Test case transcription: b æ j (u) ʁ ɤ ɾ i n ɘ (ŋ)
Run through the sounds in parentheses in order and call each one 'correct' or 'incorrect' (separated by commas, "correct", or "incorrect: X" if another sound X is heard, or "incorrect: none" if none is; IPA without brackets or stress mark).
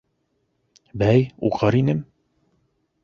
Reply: correct, incorrect: m